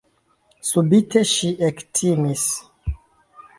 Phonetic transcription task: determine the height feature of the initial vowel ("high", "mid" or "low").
high